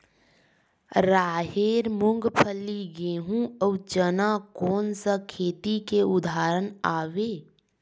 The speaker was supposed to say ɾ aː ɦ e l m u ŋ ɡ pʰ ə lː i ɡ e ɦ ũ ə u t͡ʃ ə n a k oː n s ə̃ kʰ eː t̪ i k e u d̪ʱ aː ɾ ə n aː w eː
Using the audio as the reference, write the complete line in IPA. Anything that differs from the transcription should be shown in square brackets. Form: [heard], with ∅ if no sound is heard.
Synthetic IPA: ɾ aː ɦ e [ɾ] m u ŋ ɡ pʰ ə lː i ɡ e ɦ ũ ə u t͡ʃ ə n a k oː n s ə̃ kʰ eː t̪ i k e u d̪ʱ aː ɾ ə n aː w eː